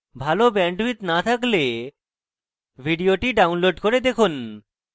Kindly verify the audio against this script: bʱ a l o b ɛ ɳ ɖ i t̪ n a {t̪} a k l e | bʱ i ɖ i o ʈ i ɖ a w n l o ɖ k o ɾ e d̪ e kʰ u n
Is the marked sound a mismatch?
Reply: yes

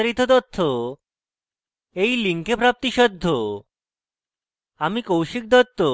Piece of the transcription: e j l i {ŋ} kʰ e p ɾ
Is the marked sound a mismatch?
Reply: no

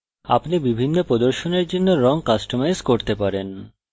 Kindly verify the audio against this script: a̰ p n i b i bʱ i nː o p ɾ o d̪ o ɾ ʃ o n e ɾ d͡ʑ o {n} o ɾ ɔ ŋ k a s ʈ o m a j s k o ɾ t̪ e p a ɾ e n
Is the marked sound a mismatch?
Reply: yes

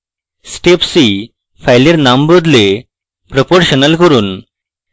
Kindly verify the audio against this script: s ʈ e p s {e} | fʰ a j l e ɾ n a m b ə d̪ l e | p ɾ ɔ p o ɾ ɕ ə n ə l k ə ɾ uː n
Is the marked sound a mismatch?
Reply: yes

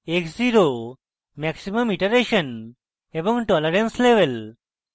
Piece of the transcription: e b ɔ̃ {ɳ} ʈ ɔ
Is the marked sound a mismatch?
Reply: yes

